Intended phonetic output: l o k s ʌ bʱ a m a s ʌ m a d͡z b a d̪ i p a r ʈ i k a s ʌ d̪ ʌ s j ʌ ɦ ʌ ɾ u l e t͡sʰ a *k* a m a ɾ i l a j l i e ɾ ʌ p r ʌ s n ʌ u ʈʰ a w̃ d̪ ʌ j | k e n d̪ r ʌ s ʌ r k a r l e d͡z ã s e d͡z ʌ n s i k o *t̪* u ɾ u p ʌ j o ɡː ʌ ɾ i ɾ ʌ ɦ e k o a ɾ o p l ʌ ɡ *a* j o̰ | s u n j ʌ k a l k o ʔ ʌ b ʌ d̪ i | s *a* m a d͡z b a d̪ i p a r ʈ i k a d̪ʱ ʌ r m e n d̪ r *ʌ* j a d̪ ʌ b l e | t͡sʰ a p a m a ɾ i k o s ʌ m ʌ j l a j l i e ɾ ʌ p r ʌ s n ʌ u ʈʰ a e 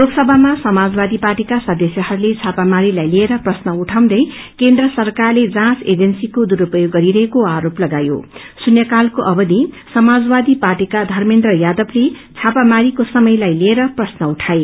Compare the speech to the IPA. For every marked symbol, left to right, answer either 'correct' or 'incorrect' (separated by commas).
incorrect, incorrect, correct, incorrect, correct